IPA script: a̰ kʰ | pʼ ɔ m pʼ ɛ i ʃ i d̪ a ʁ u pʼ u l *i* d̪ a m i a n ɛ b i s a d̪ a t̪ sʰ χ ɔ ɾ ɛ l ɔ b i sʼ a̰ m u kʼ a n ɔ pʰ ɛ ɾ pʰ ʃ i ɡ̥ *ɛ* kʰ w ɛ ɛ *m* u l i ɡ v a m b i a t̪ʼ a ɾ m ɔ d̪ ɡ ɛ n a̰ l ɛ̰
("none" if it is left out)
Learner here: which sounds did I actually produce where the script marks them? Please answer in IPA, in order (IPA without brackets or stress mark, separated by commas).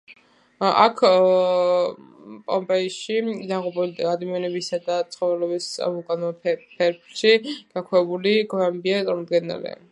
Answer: a, a, b